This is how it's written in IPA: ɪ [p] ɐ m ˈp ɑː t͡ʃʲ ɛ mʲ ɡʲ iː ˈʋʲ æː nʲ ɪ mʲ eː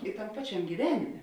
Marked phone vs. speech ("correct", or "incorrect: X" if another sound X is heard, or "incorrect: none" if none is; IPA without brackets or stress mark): incorrect: t